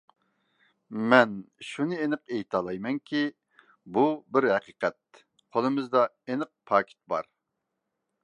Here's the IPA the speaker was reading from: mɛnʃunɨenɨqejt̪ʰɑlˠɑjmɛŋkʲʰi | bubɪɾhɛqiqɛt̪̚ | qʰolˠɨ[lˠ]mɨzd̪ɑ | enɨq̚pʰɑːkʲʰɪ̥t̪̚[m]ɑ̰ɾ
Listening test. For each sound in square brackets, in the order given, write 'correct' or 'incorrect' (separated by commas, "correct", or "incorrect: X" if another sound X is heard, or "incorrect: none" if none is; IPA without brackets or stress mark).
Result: incorrect: none, incorrect: b